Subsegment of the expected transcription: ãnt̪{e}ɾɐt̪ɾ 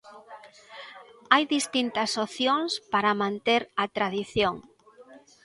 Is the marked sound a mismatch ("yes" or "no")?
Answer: no